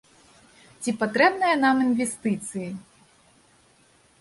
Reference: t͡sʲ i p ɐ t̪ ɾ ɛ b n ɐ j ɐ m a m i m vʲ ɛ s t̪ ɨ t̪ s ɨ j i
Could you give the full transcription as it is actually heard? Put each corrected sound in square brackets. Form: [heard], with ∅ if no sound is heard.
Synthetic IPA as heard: t͡sʲ i p [a] t̪ ɾ ɛ b n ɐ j ɐ [n] a m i [n] vʲ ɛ s t̪ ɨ t̪ s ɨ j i

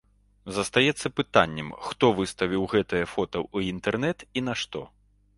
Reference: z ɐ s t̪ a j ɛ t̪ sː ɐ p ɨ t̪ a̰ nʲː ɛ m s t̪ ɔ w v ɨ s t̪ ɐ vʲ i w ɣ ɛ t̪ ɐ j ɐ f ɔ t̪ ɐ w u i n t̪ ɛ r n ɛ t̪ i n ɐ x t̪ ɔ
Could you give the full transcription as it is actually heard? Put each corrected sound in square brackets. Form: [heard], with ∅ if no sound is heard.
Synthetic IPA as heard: z ɐ s t̪ a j ɛ t̪ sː ɐ p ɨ t̪ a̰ nʲː ɛ m [x] t̪ ɔ [∅] v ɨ s t̪ ɐ vʲ i w ɣ ɛ t̪ ɐ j ɐ f ɔ t̪ ɐ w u i n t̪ ɛ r n ɛ t̪ i n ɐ [ʂ] t̪ ɔ

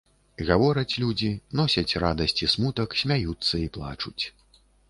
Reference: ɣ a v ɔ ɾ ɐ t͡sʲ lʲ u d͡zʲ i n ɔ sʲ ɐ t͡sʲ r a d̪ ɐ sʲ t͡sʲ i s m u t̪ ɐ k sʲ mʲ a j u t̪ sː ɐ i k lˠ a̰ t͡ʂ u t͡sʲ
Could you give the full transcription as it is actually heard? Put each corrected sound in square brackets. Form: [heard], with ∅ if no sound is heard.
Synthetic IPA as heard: ɣ a v ɔ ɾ ɐ t͡sʲ lʲ u d͡zʲ i n ɔ sʲ ɐ t͡sʲ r a d̪ ɐ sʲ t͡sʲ i s m u t̪ ɐ k sʲ mʲ a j u t̪ sː ɐ i [p] lˠ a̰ t͡ʂ u t͡sʲ

